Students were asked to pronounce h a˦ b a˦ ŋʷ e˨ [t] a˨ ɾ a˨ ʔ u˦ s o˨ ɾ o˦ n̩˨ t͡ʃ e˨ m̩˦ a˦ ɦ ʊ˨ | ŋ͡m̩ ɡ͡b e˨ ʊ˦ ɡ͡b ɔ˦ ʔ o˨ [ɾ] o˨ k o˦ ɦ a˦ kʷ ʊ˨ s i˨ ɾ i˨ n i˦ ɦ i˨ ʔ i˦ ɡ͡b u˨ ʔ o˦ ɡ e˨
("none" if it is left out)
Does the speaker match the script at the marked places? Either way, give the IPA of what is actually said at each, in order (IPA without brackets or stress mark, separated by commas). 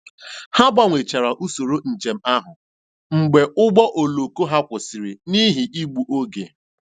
t͡ʃ, l